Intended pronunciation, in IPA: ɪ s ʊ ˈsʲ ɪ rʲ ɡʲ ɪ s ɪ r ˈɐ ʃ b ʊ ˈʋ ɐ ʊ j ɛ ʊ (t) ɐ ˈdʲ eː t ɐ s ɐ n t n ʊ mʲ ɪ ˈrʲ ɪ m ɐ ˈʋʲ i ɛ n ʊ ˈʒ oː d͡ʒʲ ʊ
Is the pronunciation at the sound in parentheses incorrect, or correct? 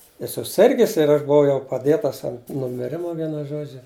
incorrect